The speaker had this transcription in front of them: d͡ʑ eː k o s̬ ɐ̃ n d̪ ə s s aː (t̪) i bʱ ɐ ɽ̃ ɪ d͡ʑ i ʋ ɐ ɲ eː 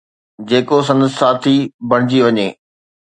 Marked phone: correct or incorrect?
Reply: incorrect